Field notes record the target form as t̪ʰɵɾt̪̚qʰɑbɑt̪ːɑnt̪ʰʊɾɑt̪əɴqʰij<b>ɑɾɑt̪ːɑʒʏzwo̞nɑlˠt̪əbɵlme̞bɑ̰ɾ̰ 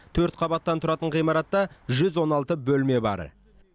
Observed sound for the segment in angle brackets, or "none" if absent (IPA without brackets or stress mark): m